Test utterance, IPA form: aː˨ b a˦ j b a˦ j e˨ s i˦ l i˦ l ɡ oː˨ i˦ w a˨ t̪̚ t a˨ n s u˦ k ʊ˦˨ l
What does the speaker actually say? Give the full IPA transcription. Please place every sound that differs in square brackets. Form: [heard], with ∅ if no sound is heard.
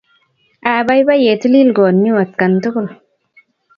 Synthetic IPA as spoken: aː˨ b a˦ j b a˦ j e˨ [t] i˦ l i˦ l ɡ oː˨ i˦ w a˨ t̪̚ [k] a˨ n [t] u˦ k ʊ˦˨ l